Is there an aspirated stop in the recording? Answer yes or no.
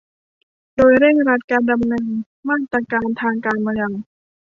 yes